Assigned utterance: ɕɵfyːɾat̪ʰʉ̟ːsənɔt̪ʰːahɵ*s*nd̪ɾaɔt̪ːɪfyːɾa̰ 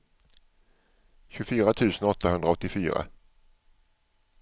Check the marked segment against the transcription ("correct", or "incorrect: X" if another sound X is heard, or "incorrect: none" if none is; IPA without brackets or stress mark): incorrect: none